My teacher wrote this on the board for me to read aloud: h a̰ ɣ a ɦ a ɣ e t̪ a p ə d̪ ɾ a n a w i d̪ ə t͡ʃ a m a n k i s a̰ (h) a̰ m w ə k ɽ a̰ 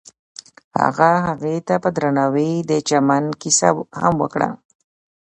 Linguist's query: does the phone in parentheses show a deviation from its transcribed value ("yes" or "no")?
no